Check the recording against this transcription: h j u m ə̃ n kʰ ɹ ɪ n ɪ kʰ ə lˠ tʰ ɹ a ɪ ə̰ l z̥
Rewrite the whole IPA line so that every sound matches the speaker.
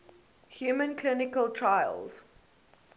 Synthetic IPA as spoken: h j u m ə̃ n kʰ l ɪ n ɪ k ə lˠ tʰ ɹ a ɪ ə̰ l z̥